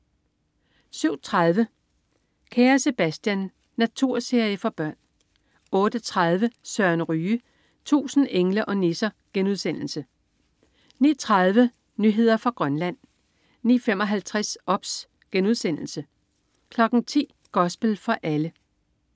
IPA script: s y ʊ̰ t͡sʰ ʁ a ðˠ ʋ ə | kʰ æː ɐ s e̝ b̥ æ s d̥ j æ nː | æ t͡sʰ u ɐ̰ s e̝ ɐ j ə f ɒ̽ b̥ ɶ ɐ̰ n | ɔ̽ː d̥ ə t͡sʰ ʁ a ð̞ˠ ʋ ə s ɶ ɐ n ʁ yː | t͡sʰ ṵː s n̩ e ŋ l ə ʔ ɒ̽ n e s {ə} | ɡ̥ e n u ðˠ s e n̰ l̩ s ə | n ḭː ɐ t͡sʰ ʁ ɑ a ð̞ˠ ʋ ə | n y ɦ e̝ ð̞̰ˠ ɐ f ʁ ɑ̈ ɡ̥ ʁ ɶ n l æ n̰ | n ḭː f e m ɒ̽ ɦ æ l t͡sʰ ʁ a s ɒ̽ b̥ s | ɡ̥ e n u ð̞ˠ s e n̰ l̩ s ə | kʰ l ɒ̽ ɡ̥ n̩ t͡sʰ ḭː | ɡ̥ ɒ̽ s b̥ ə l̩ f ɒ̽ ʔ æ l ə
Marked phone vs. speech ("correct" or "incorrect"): incorrect